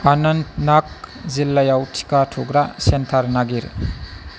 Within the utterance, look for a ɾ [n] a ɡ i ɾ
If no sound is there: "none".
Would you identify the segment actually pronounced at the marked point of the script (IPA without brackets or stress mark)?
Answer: n